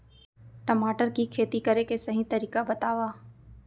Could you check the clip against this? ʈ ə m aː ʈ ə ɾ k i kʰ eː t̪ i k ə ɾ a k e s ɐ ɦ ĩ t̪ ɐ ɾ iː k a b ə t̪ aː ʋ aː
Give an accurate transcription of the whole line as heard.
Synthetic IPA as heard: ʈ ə m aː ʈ ə ɾ k i kʰ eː t̪ i k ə ɾ e k e s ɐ ɦ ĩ t̪ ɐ ɾ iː k a b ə t̪ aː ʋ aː